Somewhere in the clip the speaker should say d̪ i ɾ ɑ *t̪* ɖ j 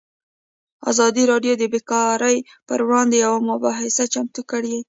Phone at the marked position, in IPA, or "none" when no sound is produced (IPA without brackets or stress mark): none